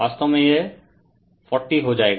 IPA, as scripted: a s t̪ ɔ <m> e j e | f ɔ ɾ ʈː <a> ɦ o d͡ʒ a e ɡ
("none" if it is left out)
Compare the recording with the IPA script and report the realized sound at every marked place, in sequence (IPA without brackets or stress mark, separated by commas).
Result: m, i